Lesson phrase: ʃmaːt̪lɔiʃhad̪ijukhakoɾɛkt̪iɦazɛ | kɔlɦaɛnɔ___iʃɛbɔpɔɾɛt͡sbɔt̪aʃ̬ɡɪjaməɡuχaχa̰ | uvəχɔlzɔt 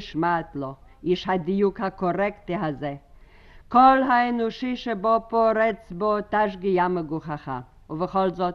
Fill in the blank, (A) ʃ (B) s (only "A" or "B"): A